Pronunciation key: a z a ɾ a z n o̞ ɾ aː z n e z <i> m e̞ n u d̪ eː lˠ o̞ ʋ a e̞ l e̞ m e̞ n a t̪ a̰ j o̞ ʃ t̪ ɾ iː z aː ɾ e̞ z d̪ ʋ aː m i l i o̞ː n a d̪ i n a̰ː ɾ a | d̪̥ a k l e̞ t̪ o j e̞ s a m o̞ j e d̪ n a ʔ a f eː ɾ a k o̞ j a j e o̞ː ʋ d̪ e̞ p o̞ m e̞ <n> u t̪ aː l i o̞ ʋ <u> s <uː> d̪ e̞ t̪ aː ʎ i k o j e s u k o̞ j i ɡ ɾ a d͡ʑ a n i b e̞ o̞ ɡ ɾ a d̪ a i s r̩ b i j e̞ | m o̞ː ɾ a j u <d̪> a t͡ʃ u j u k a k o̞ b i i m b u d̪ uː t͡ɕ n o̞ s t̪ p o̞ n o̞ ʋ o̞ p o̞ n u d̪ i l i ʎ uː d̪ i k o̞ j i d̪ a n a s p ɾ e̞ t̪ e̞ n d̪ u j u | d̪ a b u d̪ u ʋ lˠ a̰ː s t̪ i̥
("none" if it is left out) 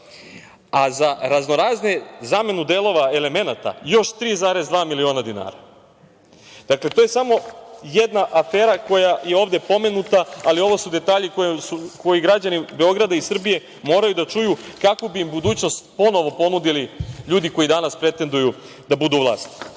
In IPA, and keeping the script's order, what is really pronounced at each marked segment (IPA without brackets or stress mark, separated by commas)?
a, n, o, u, d̪